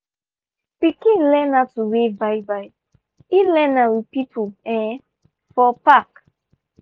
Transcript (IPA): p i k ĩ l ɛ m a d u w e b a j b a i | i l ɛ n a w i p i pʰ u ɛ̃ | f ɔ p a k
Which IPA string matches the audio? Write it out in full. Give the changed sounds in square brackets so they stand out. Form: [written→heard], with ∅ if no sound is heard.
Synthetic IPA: p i k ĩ l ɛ [m→n] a [d→t] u w e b a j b a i | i l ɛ n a w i p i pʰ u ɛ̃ | f ɔ p a k